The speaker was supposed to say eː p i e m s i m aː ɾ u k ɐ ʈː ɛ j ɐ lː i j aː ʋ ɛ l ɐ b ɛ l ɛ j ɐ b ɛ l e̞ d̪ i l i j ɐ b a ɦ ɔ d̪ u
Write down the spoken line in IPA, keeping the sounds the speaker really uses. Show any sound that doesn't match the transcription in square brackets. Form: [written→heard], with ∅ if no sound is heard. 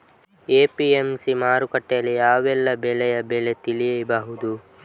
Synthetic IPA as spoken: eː p i e m s i m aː ɾ u k ɐ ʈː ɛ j ɐ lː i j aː ʋ ɛ [l→lː] ɐ b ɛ l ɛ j ɐ b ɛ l e̞ [d̪→t̪] i l i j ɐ b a ɦ [ɔ→u] d̪ u